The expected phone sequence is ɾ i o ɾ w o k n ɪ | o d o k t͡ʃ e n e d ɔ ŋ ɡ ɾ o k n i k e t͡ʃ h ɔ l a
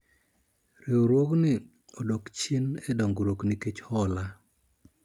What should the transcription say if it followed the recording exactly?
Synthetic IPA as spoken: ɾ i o ɾ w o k n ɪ | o d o k t͡ʃ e n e d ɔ ŋ ɡ ɾ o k n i k e t͡ʃ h ɔ l a